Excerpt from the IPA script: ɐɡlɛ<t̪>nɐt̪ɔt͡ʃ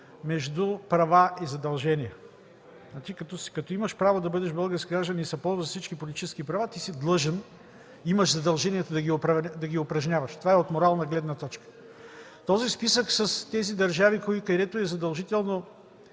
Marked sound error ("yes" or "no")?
yes